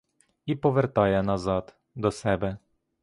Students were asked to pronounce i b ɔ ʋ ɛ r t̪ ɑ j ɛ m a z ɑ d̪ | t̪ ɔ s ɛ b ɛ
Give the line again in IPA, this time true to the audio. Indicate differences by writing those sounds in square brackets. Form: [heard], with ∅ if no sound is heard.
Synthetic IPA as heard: i [p] ɔ ʋ ɛ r t̪ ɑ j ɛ [n] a z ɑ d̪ | [d̪] ɔ s ɛ b ɛ

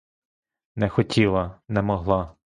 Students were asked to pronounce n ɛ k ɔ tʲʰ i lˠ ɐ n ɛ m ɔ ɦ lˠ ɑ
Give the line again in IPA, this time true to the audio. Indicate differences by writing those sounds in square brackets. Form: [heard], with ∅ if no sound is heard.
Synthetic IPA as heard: n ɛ [x] ɔ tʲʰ i lˠ ɐ n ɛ m ɔ ɦ lˠ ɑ

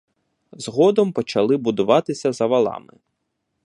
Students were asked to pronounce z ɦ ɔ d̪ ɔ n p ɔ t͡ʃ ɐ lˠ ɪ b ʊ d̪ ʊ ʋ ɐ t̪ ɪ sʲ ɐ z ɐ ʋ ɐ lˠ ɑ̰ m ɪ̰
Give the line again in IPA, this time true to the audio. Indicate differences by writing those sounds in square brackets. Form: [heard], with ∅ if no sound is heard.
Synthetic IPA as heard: z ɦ ɔ d̪ ɔ [m] p ɔ t͡ʃ ɐ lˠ ɪ b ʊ d̪ ʊ ʋ [ɑ] t̪ ɪ sʲ ɐ z ɐ ʋ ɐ lˠ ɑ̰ m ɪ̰

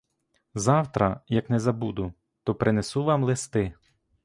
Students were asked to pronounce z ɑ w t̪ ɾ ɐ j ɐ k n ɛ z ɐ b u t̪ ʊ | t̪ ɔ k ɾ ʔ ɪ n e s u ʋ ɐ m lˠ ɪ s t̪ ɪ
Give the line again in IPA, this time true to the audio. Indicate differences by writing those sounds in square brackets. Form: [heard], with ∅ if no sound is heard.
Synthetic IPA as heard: z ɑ w t̪ ɾ ɐ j ɐ k n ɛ z ɐ b u [d̪] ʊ | t̪ ɔ [p] ɾ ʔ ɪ n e s u ʋ [ɑ] m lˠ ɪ s t̪ ɪ

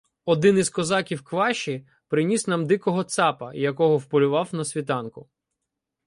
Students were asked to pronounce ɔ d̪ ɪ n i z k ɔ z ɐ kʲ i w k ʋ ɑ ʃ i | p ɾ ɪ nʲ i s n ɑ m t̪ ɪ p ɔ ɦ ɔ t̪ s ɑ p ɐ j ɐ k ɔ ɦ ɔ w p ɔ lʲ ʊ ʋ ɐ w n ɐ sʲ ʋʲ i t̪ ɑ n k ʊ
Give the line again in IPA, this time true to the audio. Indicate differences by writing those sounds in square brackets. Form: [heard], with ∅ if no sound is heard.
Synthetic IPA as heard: ɔ d̪ ɪ n i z k ɔ z [ɑ] kʲ i w k ʋ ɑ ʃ i | p ɾ ɪ nʲ i s n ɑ m [d̪] ɪ [k] ɔ ɦ ɔ t̪ s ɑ p ɐ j ɐ k ɔ ɦ ɔ w p ɔ lʲ ʊ ʋ [ɑ] w n ɐ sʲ ʋʲ i t̪ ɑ n k ʊ

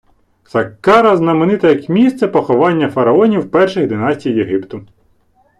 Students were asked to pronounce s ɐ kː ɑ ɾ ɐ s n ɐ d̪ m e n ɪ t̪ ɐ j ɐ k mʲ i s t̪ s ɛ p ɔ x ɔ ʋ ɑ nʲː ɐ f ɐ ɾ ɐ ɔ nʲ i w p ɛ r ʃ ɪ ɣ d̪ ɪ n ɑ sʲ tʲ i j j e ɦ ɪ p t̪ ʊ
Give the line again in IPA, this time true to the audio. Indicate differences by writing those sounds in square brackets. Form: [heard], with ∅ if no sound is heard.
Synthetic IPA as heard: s ɐ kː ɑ ɾ ɐ [z] n ɐ [∅] m e n ɪ t̪ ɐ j ɐ k mʲ i s t̪ s ɛ p ɔ x ɔ ʋ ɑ nʲː ɐ f ɐ ɾ ɐ ɔ nʲ i w p ɛ r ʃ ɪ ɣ d̪ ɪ n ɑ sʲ tʲ i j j e ɦ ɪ p t̪ ʊ

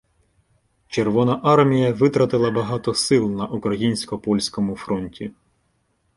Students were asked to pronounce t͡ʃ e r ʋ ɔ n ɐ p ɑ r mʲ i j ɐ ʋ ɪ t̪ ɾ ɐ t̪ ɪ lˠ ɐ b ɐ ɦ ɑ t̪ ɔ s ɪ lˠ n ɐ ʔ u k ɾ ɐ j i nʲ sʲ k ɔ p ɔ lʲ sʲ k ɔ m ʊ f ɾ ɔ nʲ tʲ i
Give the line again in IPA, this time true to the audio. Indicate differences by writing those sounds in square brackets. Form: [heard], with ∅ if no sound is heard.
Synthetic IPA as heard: t͡ʃ e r ʋ ɔ n ɐ [ʔ] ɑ r mʲ i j ɐ ʋ ɪ t̪ ɾ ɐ t̪ ɪ lˠ ɐ b ɐ ɦ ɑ t̪ ɔ s ɪ lˠ n ɐ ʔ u k ɾ ɐ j i nʲ sʲ k ɔ p ɔ lʲ sʲ k ɔ m ʊ f ɾ ɔ nʲ tʲ i

